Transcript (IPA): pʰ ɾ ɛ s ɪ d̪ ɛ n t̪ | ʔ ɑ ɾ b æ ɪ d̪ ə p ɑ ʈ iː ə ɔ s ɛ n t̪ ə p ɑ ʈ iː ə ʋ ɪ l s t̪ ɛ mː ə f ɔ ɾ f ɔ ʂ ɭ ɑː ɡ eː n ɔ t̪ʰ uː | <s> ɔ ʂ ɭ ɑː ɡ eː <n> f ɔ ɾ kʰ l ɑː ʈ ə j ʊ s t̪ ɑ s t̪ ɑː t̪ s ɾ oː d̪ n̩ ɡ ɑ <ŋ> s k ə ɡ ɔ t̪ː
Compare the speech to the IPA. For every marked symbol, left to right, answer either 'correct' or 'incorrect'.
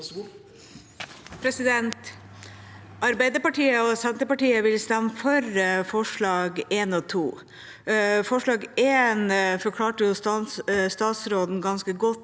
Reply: incorrect: f, correct, incorrect: n

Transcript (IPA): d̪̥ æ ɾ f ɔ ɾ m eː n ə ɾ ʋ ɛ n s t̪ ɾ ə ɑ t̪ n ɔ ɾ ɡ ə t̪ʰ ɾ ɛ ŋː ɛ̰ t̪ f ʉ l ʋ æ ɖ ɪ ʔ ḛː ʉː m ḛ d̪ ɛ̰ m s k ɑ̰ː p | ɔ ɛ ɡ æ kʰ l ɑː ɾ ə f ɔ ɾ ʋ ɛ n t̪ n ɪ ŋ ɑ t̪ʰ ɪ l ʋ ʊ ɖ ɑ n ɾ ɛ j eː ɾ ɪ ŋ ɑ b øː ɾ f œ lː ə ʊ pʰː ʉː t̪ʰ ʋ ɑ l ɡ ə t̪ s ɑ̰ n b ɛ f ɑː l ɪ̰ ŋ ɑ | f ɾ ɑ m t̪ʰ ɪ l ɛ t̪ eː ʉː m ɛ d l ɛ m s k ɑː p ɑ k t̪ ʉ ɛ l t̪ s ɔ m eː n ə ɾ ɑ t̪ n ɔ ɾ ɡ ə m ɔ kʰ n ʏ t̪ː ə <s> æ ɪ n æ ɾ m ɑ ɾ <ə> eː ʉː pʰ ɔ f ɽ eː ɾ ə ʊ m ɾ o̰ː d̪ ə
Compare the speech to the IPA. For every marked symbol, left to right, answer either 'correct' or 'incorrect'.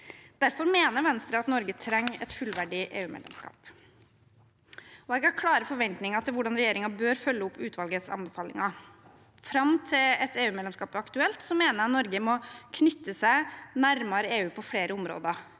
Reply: correct, correct

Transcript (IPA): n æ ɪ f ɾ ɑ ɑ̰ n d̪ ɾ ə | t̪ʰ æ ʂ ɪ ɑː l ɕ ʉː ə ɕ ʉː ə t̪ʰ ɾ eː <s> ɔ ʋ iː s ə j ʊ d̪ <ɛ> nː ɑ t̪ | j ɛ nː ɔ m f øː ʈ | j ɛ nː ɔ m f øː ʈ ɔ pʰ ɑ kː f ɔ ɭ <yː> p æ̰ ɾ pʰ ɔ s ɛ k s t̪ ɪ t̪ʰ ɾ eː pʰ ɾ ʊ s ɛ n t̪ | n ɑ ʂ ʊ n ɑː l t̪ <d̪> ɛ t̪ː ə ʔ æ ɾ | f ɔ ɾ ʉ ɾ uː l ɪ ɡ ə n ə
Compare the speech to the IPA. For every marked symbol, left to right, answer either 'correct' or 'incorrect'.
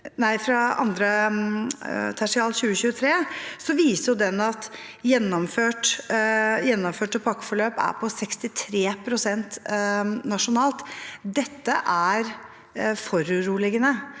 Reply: correct, correct, incorrect: øː, correct

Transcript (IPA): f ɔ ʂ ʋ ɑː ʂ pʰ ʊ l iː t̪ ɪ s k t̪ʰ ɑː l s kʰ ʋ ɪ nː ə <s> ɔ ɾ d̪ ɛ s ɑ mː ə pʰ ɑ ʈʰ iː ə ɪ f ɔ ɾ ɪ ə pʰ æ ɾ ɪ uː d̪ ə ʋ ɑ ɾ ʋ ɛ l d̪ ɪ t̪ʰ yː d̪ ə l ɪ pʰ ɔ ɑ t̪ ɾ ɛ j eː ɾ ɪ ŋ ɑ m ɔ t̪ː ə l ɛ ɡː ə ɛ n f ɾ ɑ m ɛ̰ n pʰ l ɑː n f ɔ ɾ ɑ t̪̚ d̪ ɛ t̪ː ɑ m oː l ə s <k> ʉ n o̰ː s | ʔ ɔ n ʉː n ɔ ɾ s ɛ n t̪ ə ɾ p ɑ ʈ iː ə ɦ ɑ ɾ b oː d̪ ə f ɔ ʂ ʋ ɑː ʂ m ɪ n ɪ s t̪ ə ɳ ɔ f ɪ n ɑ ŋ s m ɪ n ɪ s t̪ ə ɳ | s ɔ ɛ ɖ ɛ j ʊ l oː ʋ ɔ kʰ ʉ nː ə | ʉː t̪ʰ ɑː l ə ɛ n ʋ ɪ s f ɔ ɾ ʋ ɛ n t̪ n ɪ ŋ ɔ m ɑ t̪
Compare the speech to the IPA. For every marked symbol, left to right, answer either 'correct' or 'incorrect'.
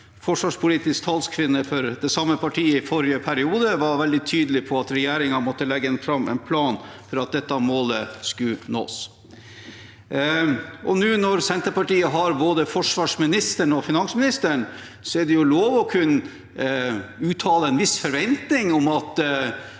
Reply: incorrect: f, correct

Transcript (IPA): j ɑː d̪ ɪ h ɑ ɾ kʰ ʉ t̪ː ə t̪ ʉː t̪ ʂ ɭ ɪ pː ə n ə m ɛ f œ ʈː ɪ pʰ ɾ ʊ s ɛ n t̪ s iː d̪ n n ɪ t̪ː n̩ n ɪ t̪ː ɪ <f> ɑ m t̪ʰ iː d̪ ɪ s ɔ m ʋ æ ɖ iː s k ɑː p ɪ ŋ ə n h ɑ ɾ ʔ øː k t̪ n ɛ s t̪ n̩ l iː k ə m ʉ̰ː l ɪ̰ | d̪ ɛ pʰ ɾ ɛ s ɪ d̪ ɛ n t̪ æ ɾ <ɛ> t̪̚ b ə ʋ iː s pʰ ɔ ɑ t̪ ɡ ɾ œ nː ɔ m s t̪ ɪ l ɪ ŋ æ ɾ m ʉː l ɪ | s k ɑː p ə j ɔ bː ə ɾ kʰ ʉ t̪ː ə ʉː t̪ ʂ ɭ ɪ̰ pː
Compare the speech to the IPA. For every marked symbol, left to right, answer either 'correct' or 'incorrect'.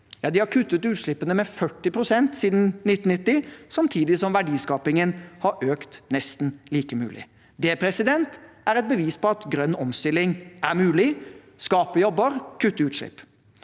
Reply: incorrect: s, correct

